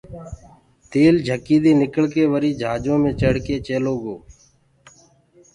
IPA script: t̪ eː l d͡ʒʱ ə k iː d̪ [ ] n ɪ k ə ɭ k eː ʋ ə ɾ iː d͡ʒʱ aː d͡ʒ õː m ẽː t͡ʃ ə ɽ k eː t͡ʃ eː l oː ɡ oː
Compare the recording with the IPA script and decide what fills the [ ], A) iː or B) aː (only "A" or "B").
A